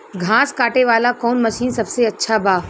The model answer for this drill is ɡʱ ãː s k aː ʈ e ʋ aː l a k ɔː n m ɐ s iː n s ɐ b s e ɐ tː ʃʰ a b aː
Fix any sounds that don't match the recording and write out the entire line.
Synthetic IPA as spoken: ɡʱ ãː s k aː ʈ e ʋ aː l a k ɔː n m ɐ ʃ iː n s ɐ b s e ɐ tː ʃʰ a b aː